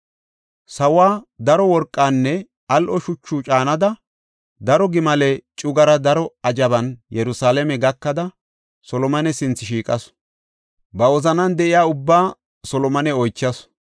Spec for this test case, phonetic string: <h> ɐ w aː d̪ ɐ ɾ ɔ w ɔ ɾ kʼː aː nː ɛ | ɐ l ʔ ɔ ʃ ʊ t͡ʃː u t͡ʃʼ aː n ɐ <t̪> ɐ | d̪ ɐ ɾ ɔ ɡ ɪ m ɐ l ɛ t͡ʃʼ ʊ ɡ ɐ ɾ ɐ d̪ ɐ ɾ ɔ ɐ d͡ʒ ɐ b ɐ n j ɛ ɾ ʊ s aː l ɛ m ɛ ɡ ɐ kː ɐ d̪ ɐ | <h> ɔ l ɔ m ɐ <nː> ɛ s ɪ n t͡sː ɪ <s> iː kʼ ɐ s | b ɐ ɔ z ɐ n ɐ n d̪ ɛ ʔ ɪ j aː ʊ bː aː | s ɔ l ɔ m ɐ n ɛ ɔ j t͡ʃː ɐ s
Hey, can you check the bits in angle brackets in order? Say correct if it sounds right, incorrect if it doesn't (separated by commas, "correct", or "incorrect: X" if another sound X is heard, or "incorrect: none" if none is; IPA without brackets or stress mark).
incorrect: s, incorrect: d̪, incorrect: s, incorrect: n, incorrect: ʃ